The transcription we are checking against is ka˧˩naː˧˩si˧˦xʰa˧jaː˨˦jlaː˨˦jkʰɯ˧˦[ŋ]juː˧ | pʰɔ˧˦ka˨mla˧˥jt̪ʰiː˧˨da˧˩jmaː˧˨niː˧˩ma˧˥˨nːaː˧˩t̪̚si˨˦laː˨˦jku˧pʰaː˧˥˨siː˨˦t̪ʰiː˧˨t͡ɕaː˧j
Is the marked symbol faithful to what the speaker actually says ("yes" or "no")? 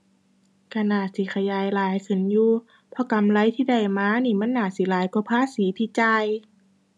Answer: no